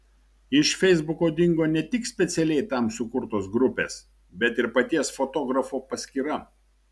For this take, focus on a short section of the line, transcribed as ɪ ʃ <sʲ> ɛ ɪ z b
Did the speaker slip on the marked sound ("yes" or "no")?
yes